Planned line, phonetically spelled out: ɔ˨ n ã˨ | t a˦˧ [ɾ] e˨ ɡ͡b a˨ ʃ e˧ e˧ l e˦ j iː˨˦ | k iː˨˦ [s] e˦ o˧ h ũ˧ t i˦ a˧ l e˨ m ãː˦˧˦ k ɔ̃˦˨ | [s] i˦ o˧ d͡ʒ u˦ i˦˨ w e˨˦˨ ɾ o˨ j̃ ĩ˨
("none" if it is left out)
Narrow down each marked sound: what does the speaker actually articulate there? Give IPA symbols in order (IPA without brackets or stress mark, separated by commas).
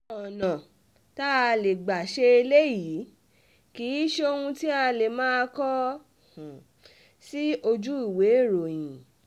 l, ʃ, s